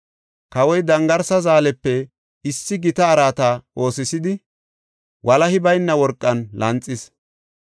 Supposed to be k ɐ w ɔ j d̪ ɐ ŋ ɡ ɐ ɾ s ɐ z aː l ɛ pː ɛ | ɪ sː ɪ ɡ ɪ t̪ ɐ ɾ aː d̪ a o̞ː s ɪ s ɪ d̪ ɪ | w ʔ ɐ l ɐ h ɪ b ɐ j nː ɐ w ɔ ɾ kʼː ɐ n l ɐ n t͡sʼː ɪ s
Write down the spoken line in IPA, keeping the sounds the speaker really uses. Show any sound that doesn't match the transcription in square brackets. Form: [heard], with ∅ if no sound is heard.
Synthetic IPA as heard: k ɐ w ɔ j d̪ ɐ ŋ ɡ ɐ ɾ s ɐ z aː l ɛ pː ɛ | ɪ sː ɪ ɡ ɪ t̪ [ɐː] ɾ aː [t̪] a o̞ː s ɪ s ɪ d̪ ɪ | w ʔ ɐ l ɐ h ɪ b ɐ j nː ɐ w ɔ ɾ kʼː ɐ n l ɐ n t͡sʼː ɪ s